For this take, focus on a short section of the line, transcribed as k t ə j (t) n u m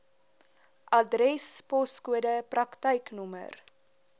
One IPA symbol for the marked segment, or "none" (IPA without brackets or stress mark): k